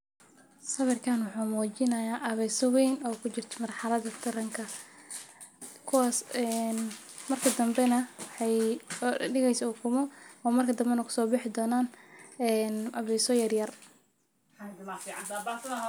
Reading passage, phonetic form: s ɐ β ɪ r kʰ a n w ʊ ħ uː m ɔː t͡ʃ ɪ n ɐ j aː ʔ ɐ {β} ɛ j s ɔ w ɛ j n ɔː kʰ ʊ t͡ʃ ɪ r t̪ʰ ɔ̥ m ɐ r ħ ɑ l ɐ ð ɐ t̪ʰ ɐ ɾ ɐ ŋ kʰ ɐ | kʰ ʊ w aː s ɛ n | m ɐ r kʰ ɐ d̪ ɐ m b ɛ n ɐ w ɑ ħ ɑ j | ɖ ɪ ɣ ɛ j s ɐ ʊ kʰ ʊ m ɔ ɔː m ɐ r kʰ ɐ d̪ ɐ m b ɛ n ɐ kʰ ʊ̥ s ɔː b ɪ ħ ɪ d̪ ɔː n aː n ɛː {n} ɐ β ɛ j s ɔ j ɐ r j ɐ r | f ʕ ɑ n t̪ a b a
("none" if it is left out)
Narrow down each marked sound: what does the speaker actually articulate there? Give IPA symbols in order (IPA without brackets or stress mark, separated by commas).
β, n